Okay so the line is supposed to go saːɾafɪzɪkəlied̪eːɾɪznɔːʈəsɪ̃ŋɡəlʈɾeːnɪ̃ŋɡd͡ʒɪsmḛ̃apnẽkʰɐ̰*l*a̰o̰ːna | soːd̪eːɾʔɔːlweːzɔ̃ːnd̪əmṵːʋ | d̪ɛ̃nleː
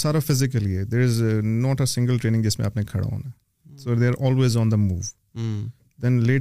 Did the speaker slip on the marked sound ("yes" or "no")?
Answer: yes